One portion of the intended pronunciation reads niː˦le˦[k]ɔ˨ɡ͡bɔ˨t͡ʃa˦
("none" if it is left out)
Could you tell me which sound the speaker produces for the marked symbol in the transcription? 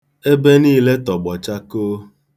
t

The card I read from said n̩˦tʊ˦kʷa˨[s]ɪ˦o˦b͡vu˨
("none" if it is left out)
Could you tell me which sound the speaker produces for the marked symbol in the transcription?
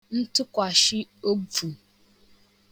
ʃ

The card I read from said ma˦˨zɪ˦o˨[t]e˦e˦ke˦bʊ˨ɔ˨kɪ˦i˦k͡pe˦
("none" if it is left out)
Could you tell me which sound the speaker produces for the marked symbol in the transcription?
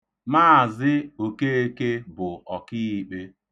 k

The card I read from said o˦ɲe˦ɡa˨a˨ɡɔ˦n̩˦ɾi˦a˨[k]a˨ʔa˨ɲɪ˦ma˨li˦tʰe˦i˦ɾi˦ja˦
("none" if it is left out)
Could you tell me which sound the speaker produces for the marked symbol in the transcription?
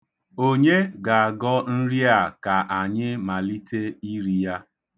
k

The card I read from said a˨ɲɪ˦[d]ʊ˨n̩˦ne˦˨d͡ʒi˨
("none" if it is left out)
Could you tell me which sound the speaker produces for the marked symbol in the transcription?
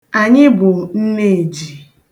b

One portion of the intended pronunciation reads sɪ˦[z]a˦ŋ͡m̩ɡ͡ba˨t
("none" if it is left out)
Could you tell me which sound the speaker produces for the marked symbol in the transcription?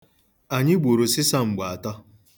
s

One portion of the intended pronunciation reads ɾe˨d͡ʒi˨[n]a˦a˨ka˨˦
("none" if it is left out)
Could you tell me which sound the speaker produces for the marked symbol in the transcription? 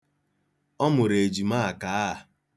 m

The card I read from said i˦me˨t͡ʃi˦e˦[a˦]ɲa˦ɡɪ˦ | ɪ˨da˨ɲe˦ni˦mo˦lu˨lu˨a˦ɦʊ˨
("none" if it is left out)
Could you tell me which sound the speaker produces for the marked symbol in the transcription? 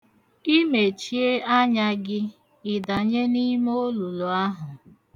a˦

